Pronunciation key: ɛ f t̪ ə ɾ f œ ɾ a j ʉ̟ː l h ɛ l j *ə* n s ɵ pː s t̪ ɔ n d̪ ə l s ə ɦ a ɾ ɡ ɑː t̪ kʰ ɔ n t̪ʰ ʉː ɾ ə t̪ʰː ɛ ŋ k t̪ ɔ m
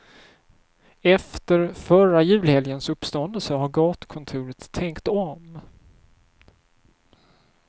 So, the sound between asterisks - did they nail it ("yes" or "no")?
yes